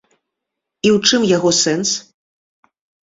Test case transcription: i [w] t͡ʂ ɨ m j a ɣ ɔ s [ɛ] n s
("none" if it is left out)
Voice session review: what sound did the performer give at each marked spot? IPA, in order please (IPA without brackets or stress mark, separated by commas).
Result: w, ɛ